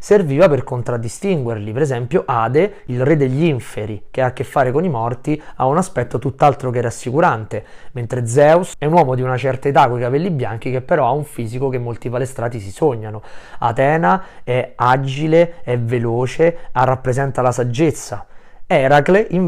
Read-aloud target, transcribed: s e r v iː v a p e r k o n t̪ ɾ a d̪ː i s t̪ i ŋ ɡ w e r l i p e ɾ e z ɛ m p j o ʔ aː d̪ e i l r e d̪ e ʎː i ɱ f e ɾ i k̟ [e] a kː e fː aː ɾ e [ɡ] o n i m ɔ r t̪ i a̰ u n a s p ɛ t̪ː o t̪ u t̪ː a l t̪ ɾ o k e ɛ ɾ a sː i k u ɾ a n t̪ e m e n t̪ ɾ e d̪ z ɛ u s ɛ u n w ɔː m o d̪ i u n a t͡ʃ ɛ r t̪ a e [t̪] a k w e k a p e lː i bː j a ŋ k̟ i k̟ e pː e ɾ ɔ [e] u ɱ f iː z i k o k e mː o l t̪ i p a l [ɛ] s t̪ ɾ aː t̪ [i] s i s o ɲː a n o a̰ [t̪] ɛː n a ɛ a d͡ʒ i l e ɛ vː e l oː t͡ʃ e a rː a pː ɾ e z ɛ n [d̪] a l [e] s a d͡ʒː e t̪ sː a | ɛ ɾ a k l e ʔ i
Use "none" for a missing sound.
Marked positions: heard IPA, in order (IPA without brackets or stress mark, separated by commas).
e, k, t̪, a, e, i, t̪, t̪, a